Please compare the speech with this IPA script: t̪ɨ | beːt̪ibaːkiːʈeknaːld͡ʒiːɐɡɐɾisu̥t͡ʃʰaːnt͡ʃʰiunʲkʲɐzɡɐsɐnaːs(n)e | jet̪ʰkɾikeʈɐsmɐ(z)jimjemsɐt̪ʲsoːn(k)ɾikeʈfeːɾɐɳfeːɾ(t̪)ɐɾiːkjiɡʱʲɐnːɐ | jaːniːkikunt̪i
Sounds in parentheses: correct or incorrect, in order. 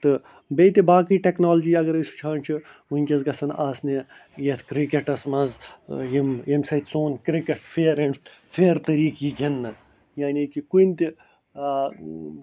correct, correct, correct, correct

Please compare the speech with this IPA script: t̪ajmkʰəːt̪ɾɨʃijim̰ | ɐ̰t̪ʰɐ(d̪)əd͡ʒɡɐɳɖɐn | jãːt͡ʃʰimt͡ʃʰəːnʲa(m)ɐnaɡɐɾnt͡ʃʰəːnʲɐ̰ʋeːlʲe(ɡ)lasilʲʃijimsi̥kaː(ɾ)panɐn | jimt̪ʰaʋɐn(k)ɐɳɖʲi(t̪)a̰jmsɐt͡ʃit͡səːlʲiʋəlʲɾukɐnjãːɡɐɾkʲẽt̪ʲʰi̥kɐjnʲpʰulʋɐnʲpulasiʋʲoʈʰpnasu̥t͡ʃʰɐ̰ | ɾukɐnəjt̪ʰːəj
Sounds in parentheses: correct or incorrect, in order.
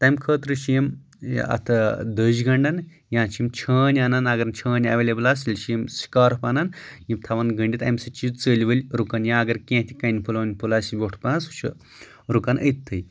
correct, incorrect: n, incorrect: b, correct, incorrect: ɡ, correct

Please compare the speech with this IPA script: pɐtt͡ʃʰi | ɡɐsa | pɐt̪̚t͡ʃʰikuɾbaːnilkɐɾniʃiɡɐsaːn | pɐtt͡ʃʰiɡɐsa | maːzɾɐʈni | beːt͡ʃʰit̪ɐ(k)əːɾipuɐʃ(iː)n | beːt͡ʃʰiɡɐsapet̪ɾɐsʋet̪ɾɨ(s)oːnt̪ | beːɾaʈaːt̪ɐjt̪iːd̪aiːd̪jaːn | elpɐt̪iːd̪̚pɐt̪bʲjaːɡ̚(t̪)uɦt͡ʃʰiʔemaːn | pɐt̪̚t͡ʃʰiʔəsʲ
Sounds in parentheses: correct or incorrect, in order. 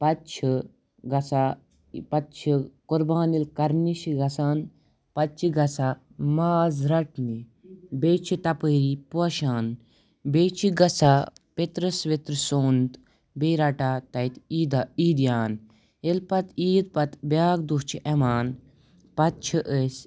incorrect: p, incorrect: aː, correct, incorrect: d̪

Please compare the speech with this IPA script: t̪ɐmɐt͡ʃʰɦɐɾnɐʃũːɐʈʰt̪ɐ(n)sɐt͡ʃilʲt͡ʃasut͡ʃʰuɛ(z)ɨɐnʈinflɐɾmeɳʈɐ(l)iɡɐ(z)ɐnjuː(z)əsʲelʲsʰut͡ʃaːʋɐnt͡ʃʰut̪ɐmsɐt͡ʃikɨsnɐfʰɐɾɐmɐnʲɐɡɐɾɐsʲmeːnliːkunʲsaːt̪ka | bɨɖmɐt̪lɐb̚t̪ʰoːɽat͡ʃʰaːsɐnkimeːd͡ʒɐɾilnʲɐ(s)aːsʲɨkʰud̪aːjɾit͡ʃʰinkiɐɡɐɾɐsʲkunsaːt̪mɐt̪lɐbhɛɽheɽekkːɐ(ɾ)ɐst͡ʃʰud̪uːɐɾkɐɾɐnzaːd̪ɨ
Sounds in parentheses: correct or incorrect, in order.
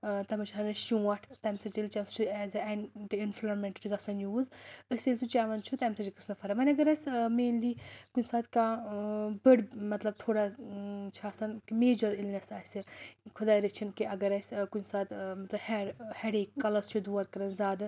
incorrect: m, correct, incorrect: ɾ, incorrect: s, correct, correct, incorrect: l

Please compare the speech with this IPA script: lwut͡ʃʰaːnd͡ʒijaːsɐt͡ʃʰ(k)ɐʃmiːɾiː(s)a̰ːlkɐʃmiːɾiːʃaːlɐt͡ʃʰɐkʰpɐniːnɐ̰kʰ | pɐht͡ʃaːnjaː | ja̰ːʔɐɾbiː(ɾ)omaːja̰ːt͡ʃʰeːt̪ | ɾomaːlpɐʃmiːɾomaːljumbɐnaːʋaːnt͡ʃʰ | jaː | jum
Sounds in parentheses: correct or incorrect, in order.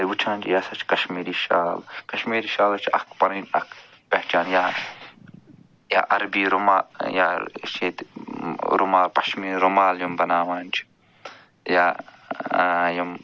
correct, incorrect: ʃ, correct

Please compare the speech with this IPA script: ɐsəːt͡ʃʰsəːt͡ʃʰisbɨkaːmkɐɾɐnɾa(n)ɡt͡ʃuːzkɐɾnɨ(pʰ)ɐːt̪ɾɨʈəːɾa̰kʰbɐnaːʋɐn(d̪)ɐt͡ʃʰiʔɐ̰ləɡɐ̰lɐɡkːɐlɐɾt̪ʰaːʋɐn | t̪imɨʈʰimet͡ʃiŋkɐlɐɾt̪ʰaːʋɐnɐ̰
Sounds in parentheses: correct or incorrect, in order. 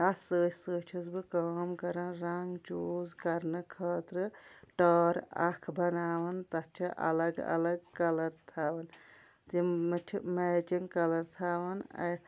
incorrect: ŋ, incorrect: kʰ, incorrect: t̪

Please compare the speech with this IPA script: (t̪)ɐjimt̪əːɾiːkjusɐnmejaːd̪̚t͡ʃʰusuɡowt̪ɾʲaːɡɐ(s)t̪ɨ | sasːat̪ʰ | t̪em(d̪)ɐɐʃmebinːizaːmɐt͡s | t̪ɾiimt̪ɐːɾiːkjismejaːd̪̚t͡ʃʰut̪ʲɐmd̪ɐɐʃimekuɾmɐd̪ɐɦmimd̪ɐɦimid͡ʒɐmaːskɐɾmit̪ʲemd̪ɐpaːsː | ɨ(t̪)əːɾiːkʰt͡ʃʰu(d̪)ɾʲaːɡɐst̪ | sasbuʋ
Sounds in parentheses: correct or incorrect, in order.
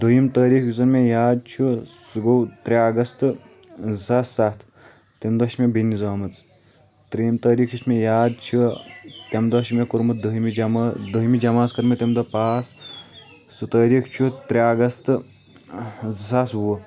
incorrect: d̪, correct, correct, correct, incorrect: t̪

